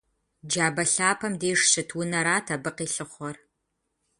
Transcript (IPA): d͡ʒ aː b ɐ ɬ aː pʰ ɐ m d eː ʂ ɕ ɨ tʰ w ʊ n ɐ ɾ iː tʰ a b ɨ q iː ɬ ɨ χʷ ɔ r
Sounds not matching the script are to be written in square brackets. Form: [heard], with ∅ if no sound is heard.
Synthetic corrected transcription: d͡ʒ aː b ɐ ɬ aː pʰ ɐ m d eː ʂ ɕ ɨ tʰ w ʊ n ɐ ɾ [aː] tʰ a b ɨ q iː ɬ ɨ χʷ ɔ r